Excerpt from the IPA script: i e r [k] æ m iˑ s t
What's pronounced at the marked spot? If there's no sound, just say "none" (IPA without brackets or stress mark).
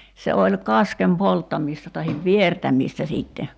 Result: t